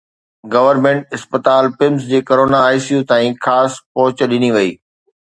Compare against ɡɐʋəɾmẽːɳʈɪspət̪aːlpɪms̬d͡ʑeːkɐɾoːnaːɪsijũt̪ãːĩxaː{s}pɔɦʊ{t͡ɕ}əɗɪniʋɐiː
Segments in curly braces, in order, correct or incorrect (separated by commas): correct, correct